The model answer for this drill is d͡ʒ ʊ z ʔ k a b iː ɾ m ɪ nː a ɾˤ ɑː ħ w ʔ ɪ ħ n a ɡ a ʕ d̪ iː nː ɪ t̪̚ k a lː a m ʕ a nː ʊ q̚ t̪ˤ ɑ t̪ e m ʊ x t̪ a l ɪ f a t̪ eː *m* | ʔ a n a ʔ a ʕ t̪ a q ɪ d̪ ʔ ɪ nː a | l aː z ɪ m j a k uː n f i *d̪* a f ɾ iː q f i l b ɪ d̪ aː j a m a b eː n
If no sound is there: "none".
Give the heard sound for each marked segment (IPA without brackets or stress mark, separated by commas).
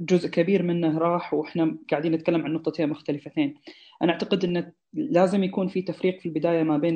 n, t̪